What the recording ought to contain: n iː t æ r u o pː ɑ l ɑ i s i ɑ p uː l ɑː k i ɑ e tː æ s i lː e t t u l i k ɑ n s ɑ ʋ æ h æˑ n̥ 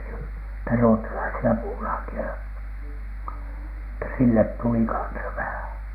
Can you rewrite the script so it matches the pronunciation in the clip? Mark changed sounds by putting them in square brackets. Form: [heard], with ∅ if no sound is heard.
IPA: n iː t æ r u o [tː] ɑ l ɑ i s i ɑ p uː l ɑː k i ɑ e tː æ s i lː e t t u l i k ɑ n s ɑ ʋ æ h æˑ n̥